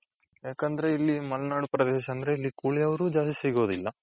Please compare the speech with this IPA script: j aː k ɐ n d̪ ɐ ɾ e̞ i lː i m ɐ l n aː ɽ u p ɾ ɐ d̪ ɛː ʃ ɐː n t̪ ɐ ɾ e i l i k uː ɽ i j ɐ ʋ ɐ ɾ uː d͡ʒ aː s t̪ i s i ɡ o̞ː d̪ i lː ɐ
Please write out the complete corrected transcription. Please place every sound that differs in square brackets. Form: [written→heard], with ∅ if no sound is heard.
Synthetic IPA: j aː k ɐ n d̪ ɐ ɾ e̞ i lː i m ɐ l n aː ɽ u p ɾ ɐ d̪ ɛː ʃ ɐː n [t̪→d̪] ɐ ɾ e i [l→lː] i k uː [ɽ→ɭ] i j ɐ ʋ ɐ ɾ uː d͡ʒ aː s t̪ i s i ɡ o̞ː d̪ i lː ɐ